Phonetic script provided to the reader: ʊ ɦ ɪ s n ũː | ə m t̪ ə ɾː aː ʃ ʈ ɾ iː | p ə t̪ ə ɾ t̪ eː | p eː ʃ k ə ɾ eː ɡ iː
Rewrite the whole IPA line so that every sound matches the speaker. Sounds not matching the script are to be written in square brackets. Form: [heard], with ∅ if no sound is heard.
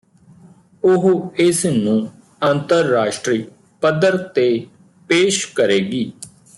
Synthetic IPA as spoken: ʊ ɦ ɪ s n ũː | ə [n] t̪ ə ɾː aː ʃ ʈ ɾ iː | p ə [d̪] ə ɾ t̪ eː | p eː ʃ k ə ɾ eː ɡ iː